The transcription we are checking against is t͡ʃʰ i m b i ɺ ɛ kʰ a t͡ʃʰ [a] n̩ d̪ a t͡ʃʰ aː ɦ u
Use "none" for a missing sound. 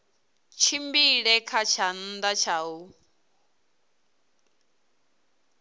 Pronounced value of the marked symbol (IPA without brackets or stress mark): a